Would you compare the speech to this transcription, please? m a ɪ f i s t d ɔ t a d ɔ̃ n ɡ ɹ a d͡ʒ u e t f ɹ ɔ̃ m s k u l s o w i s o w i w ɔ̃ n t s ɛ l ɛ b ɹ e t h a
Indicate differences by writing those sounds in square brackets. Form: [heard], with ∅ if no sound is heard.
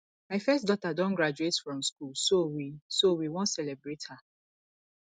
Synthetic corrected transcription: m a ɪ f [ɛ] s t d ɔ t a d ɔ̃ n ɡ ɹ a d͡ʒ u e t f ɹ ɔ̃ m s k u l s o w i s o w i w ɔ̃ n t s ɛ l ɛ b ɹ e t h a